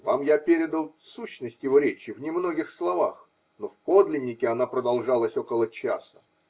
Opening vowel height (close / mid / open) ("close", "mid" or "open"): open